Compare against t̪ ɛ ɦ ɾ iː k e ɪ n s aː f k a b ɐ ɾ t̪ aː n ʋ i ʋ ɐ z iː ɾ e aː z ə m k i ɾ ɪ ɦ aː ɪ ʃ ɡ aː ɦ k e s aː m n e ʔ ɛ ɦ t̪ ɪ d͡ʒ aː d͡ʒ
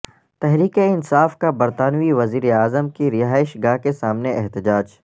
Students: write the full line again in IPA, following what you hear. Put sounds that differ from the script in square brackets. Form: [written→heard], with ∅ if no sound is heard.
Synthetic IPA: t̪ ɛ ɦ ɾ iː k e ɪ n s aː f k a b ɐ ɾ t̪ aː n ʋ i ʋ ɐ z iː ɾ e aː z ə m k i ɾ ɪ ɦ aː ɪ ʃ ɡ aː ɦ k e s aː m n e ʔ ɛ ɦ t̪ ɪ d͡ʒ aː d͡ʒ